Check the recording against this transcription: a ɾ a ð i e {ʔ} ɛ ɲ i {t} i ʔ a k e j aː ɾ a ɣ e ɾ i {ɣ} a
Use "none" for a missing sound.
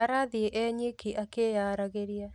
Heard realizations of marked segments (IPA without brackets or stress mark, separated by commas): ʔ, k, none